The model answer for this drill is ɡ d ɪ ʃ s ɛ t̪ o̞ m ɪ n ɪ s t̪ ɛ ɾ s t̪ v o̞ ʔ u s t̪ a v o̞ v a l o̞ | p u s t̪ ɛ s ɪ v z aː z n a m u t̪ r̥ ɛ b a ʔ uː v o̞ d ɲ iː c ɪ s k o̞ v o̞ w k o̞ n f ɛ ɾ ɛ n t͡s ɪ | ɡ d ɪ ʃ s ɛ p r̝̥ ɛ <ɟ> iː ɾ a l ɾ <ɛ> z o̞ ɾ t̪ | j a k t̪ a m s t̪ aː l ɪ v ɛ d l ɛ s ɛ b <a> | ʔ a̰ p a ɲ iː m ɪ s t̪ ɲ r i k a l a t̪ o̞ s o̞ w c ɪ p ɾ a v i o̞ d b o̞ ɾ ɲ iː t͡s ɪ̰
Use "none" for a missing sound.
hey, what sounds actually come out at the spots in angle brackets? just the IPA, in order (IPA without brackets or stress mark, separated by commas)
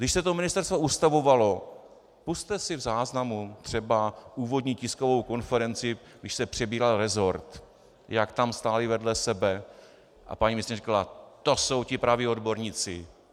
b, ɛ, ɛ